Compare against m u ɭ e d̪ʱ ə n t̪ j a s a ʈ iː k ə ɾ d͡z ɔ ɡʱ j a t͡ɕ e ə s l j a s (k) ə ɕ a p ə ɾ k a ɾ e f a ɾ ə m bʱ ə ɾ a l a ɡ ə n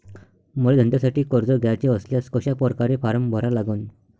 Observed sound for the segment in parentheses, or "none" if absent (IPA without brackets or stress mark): k